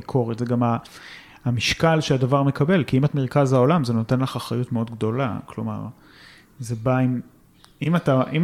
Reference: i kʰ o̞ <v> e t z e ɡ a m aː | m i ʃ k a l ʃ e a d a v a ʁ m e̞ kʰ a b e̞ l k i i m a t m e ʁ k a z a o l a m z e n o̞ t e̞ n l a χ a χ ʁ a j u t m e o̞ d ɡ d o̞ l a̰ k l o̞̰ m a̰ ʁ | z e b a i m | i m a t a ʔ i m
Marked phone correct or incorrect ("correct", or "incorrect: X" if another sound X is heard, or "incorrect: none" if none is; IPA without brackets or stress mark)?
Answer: incorrect: ʁ